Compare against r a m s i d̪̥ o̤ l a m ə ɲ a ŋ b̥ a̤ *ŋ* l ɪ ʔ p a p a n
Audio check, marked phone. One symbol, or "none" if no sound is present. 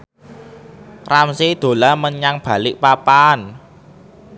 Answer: none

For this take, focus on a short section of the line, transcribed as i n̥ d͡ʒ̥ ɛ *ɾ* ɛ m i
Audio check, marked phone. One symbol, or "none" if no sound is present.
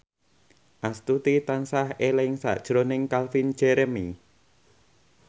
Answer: ɾ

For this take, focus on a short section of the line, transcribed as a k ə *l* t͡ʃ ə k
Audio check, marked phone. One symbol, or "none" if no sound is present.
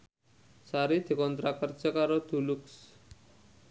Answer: ɾ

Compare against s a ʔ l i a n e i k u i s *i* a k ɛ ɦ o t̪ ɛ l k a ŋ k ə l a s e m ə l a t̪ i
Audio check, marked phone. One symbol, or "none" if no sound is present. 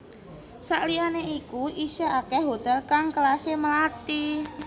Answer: a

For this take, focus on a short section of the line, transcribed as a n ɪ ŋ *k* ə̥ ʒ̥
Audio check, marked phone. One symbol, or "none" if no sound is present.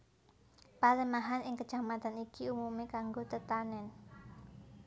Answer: k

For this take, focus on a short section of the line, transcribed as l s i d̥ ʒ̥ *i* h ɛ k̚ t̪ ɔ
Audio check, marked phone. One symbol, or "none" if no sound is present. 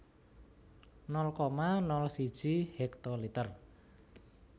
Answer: i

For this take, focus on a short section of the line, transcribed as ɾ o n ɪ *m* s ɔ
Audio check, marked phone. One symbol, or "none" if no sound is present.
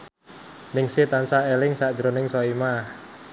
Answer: ŋ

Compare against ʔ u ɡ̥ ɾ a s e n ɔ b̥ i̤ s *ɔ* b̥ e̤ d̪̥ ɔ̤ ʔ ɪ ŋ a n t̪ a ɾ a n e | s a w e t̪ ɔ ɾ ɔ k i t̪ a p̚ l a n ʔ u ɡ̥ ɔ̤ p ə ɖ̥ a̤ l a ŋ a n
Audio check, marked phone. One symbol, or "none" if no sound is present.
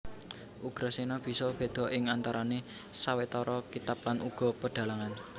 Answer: ɔ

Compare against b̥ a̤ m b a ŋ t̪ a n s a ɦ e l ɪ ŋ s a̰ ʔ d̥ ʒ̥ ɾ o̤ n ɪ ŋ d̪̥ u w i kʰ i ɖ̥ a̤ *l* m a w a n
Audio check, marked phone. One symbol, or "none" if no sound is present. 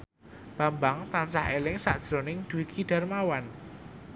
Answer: r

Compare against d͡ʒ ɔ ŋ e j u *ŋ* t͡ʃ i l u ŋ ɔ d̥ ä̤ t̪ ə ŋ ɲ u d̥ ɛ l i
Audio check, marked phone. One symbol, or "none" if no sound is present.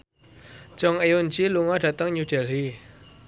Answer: n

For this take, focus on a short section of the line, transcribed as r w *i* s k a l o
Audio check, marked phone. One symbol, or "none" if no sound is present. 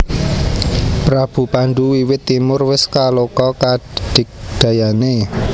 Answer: ɪ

